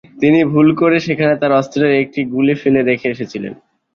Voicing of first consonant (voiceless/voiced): voiceless